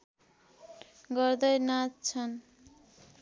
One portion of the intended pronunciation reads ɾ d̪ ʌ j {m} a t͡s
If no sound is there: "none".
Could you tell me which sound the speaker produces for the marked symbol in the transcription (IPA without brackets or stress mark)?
n